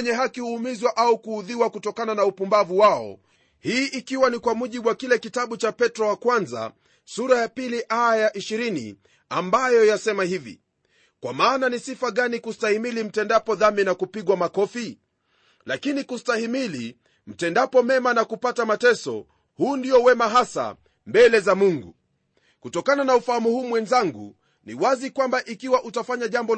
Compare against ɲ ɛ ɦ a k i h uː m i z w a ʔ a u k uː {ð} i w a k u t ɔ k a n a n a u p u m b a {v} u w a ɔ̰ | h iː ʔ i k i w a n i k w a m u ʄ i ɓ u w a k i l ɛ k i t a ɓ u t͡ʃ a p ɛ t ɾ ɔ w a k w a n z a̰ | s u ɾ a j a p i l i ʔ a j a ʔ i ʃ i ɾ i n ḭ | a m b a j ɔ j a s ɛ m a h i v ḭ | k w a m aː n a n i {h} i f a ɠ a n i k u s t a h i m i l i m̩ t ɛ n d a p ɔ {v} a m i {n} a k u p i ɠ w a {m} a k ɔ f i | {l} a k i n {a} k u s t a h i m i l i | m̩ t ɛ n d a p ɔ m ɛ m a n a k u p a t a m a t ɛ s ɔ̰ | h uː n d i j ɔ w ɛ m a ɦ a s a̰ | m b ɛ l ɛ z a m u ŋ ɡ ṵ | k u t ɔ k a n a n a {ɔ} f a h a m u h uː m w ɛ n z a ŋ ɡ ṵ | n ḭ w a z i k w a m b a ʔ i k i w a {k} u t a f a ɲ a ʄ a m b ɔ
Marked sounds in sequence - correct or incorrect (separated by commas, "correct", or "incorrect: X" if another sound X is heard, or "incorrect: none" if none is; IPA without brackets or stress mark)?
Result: correct, correct, incorrect: s, incorrect: ð, correct, correct, correct, incorrect: i, incorrect: u, incorrect: ʔ